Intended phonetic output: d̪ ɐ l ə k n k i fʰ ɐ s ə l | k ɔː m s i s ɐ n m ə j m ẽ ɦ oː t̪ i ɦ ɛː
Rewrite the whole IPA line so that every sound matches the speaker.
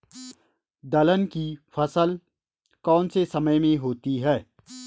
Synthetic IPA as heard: d̪ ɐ l ə n k i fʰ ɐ s ə l | k ɔː n s e s ɐ m ə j m ẽ ɦ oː t̪ i ɦ ɛː

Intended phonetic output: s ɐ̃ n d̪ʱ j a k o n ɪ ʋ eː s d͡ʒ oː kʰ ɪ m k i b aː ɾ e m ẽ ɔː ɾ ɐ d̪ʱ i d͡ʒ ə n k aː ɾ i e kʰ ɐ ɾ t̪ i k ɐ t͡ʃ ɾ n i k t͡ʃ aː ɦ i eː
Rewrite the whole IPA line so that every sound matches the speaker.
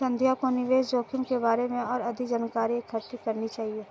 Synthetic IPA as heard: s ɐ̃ n d̪ʱ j a k o n ɪ ʋ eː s d͡ʒ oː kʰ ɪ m k e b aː ɾ e m ẽ ɔː ɾ ɐ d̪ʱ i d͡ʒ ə n k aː ɾ i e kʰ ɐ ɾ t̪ i k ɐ ɾ n i t͡ʃ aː ɦ i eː

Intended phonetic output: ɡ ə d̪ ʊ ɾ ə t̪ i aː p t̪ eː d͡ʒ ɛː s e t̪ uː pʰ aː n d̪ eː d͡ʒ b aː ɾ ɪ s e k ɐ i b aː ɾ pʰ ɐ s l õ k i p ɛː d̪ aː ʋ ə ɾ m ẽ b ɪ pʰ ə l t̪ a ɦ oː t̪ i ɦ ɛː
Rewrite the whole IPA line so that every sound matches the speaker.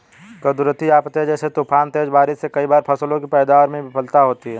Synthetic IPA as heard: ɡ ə d̪ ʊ ɾ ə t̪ i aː p t̪ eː d͡ʒ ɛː s e t̪ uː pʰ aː n t̪ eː d͡ʒ b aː ɾ ɪ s e k ɐ i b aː ɾ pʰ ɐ s l õ k i p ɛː d̪ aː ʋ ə ɾ m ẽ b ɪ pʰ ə l t̪ a ɦ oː t̪ i ɦ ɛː

